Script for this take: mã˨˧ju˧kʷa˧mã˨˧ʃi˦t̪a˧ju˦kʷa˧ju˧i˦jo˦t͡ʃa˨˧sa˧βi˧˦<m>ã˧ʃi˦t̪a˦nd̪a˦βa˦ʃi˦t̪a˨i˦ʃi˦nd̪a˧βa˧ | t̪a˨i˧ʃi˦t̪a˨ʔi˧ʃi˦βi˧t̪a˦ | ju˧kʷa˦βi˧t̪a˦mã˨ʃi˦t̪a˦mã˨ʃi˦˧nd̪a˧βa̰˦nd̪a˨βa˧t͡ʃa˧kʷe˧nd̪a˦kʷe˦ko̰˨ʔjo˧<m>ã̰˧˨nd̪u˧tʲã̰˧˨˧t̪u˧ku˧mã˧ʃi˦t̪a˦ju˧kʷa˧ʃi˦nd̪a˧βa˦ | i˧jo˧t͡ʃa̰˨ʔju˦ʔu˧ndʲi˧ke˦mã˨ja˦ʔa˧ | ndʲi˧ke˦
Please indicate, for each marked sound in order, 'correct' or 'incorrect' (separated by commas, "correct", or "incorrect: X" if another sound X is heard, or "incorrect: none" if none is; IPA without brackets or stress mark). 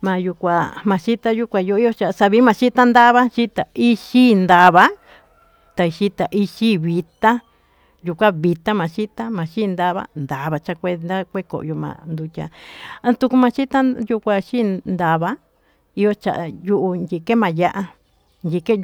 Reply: correct, correct